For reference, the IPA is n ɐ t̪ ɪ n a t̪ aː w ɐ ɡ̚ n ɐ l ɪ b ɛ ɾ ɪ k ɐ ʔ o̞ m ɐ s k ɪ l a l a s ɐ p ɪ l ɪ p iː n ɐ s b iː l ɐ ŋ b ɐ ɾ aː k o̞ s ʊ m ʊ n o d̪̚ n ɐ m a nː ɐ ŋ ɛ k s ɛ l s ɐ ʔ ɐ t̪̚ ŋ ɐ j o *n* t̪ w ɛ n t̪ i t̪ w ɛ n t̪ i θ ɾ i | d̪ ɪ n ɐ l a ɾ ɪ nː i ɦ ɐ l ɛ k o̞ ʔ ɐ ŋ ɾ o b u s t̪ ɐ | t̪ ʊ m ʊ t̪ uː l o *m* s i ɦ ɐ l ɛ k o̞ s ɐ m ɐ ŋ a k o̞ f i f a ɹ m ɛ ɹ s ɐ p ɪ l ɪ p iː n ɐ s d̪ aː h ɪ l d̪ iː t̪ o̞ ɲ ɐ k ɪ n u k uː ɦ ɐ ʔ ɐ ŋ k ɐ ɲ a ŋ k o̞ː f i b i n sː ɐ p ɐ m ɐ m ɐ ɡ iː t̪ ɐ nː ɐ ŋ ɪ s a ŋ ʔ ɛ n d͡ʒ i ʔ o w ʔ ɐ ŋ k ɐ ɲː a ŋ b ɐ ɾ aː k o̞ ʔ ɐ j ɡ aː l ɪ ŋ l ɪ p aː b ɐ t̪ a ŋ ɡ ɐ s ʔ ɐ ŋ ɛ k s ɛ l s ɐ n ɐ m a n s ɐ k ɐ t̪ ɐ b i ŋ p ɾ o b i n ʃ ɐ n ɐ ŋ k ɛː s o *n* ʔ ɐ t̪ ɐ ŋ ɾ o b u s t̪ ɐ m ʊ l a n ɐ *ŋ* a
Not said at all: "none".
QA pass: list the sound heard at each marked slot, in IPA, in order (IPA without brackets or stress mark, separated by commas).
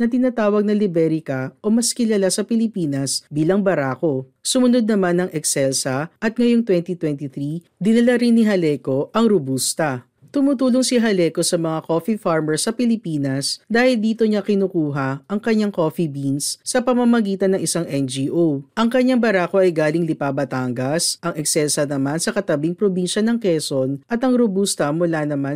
ŋ, ŋ, n, m